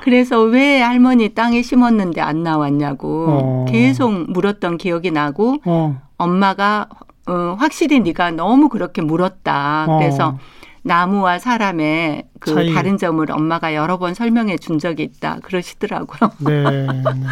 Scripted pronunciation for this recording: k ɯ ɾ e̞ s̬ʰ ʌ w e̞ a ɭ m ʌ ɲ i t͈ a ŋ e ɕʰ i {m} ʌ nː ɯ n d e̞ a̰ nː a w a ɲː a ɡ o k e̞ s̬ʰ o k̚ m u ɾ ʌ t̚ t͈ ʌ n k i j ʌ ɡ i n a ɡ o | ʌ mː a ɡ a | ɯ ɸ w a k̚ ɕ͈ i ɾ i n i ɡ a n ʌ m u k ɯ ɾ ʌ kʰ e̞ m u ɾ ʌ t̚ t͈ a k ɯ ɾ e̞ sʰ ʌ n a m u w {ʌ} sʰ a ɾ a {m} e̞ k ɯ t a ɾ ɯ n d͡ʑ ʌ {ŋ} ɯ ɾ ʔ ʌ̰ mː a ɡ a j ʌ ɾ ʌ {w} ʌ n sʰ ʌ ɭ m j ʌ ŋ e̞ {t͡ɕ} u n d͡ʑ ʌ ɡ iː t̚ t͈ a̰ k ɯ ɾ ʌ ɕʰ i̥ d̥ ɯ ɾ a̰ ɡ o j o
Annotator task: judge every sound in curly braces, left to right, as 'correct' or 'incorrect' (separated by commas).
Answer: correct, incorrect, correct, incorrect, incorrect, correct